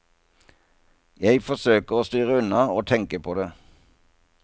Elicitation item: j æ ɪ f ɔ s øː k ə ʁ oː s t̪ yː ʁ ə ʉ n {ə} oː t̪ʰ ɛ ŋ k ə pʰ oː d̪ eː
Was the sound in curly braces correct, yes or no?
no